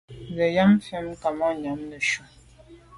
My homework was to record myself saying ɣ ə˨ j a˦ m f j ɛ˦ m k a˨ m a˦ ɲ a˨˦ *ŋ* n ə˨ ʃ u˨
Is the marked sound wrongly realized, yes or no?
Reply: yes